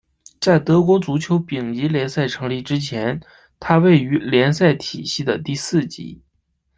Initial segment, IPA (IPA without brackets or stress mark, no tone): t͡s